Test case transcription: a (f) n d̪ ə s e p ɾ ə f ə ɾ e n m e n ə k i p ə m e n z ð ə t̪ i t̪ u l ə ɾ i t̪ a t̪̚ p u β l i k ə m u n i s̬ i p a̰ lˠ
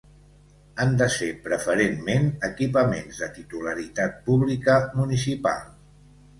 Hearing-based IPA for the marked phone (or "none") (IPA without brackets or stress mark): none